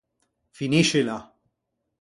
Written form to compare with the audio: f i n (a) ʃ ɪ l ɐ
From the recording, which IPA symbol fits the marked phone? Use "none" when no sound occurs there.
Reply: i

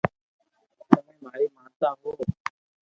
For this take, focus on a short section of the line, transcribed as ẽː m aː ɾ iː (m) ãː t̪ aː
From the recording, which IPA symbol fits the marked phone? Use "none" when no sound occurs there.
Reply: m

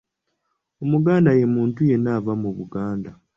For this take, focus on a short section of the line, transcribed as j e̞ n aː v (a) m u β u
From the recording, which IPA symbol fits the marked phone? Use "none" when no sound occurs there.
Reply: a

